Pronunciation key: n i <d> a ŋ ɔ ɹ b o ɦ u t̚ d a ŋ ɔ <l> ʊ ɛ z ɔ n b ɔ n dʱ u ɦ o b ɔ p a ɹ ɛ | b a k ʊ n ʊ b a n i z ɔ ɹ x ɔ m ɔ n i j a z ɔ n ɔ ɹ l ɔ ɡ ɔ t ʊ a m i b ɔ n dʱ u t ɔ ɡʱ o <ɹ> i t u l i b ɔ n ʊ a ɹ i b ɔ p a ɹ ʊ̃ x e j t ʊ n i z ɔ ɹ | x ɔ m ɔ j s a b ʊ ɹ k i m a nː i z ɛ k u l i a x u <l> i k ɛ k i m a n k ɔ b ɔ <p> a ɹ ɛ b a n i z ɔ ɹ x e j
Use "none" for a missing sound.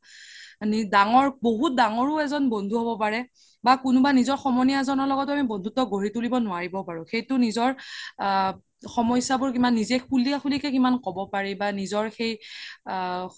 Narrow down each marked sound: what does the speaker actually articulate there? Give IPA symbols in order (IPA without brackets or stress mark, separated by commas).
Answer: d, ɹ, ɹ, l, p